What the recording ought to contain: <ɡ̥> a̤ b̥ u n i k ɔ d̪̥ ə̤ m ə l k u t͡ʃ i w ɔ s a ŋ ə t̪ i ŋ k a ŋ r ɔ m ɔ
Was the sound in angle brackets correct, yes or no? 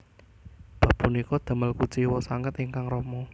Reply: no